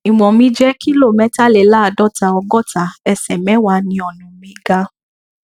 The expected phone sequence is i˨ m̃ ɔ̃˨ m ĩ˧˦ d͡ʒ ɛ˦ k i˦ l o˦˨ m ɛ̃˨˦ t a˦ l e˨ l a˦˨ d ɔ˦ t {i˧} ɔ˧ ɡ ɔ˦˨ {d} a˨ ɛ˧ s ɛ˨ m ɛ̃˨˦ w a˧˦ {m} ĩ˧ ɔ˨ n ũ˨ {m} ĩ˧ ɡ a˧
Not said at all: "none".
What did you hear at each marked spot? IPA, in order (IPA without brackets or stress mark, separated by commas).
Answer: a˧, t, n, m